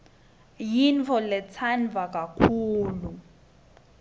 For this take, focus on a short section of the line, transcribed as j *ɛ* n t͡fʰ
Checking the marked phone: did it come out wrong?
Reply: yes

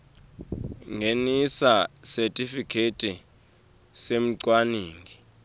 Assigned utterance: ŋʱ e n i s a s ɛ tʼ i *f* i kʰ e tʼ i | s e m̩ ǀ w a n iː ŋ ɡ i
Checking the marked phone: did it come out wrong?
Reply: no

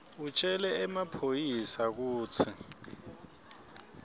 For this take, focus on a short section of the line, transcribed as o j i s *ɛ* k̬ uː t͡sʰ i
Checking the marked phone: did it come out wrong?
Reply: yes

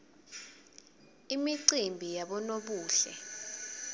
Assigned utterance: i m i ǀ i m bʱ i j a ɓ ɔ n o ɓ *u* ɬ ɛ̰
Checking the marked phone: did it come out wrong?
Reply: yes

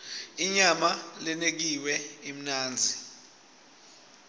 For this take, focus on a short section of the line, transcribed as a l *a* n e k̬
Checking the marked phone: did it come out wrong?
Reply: yes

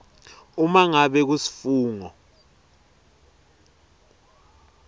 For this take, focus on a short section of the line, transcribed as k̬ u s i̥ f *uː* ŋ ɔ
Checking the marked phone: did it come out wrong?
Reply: no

